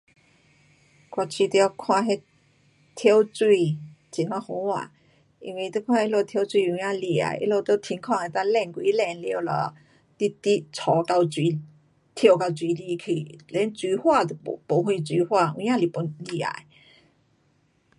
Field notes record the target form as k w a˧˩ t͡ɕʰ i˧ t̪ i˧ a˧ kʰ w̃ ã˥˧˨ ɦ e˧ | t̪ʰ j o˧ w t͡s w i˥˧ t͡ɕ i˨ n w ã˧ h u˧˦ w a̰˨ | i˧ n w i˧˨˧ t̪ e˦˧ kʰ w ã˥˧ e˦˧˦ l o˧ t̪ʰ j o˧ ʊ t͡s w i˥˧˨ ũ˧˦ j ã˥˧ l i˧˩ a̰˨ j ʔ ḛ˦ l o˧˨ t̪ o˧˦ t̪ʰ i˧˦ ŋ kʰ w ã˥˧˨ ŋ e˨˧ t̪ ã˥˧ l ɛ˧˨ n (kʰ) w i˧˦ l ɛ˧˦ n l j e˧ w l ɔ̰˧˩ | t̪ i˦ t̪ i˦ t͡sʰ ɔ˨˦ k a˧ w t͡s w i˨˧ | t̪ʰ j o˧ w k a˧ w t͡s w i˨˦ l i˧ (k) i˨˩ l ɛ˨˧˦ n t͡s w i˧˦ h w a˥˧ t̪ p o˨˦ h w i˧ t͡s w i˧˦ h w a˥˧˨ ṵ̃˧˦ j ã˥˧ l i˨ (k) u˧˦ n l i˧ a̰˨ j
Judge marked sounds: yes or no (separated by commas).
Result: no, no, no